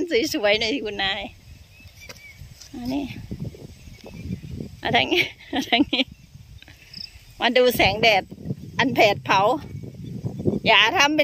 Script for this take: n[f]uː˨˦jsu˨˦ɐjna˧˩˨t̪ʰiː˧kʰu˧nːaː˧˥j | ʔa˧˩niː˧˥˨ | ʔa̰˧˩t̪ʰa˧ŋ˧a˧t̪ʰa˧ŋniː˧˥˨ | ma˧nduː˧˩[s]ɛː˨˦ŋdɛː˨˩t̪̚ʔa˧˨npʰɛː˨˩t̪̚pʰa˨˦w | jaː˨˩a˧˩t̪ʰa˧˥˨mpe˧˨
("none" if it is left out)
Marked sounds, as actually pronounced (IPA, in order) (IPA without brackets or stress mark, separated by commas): s, s